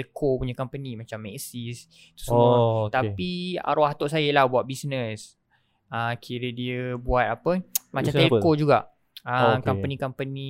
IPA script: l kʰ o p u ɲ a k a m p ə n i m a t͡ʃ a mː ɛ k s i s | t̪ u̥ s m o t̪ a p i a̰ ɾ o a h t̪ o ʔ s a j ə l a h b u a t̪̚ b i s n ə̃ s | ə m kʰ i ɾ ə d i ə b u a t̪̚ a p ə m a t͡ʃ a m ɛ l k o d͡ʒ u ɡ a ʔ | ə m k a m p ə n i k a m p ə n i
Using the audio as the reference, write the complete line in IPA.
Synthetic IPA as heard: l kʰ o p u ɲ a k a m p ə n i m a t͡ʃ a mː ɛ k s i s | t̪ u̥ s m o t̪ a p i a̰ ɾ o a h t̪ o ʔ s a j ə l a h b u a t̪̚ b i s n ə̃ s | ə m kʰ i ɾ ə d i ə b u a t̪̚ a p ə m a t͡ʃ a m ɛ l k o d͡ʒ u ɡ a ʔ | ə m k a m p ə n i k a m p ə n i